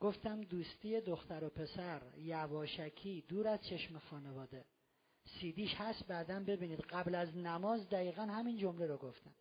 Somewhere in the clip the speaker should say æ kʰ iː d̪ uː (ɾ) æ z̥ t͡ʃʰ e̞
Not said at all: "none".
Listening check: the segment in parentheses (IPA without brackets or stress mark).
ɾ